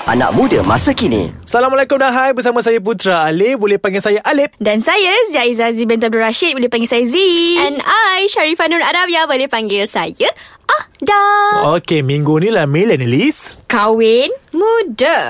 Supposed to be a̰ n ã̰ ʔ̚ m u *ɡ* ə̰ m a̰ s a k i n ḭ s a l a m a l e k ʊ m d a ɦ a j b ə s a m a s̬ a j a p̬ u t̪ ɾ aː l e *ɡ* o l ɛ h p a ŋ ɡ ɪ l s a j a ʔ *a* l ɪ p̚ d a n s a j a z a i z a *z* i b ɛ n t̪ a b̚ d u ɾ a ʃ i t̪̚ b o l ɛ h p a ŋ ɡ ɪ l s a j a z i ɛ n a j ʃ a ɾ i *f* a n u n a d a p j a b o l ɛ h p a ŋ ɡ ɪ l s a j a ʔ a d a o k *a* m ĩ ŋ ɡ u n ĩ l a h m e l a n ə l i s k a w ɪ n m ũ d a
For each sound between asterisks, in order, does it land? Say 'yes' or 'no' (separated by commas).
no, no, yes, yes, yes, no